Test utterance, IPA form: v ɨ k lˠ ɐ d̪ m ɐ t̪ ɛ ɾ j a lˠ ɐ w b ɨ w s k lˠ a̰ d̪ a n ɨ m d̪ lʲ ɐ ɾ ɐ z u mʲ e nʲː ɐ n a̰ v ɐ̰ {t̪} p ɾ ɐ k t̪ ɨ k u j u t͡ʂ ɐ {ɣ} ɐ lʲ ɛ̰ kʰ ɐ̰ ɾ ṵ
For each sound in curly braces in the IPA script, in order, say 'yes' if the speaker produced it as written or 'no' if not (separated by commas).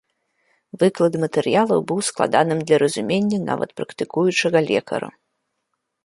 yes, yes